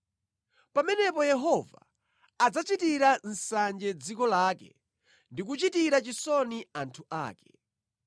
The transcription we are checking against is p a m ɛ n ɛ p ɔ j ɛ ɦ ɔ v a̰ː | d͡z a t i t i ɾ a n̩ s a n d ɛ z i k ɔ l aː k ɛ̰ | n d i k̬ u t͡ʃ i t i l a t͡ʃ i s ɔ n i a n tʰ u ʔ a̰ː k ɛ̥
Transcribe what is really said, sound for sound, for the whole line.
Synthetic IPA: p a m ɛ n ɛ p ɔ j ɛ ɦ ɔ v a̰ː | d͡z a t͡ʃ i t i ɾ a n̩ s a n d͡ʒ ɛ d͡z i k ɔ l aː k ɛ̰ | n d i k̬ u t͡ʃ i t i ɾ a t͡ʃ i s ɔ n i a n tʰ u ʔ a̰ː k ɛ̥